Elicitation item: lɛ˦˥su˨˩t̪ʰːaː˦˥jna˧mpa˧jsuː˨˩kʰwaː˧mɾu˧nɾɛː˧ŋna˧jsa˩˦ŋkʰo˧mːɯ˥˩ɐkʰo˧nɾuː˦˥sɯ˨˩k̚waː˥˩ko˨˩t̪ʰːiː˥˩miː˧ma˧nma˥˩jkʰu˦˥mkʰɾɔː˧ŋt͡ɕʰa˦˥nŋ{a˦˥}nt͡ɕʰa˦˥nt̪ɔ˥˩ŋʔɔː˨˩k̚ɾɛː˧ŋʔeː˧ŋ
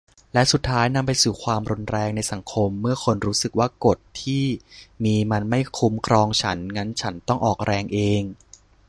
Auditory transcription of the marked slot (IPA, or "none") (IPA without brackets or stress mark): a˦˥